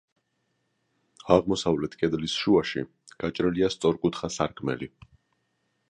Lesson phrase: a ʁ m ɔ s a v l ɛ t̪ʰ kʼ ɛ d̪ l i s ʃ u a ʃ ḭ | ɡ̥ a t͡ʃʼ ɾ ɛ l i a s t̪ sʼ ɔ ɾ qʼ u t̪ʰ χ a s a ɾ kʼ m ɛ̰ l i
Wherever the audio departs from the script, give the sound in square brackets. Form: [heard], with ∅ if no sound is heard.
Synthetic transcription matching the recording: a ʁ m ɔ s a v l ɛ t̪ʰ kʼ ɛ d̪ l i s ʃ u a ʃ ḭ | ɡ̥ a t͡ʃʼ ɾ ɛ l i a s t̪ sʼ ɔ ɾ [kʼ] u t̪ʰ χ a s a ɾ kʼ m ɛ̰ l i